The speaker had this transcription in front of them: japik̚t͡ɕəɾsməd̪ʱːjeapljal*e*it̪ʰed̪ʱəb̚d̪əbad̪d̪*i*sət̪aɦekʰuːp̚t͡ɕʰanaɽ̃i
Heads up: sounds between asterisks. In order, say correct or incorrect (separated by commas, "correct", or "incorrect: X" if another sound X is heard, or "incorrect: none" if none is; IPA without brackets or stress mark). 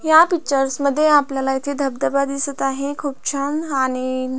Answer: incorrect: a, correct